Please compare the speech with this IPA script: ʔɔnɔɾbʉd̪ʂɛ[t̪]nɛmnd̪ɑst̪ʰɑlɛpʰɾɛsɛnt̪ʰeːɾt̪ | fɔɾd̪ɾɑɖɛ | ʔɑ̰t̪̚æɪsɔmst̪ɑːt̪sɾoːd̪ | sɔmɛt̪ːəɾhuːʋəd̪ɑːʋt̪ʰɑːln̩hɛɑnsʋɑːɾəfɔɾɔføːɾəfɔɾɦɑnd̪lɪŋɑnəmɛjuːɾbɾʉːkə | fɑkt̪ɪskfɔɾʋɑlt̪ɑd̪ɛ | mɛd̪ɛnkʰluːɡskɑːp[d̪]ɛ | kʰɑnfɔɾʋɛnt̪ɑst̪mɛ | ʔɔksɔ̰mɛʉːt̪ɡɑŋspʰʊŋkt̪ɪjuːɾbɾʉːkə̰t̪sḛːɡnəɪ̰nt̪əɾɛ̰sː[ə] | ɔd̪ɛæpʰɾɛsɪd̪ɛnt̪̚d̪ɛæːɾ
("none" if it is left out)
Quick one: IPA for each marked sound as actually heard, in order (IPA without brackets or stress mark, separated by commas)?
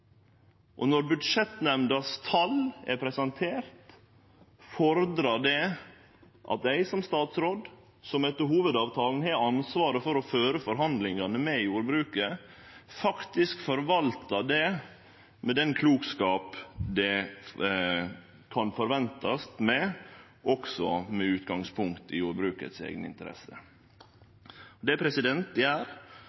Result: t̪, d̪, ə